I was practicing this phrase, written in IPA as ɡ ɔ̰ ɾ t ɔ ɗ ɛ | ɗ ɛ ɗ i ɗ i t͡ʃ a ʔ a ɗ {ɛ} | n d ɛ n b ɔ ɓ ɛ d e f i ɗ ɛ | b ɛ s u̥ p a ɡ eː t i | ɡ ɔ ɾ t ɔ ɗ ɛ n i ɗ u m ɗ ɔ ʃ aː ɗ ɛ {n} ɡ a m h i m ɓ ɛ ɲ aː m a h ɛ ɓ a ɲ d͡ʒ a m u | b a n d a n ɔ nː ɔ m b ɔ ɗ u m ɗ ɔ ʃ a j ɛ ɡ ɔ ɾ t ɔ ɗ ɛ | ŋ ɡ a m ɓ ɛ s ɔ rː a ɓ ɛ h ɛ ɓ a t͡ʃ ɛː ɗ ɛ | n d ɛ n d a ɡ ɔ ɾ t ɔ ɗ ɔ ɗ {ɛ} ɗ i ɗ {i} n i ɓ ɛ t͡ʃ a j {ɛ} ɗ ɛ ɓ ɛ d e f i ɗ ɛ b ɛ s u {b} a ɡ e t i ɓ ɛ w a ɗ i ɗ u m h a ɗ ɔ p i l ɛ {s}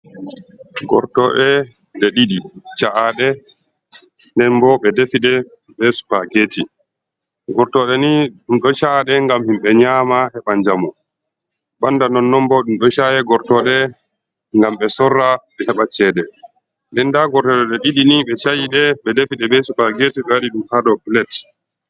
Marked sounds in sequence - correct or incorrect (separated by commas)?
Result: correct, incorrect, correct, correct, incorrect, incorrect, incorrect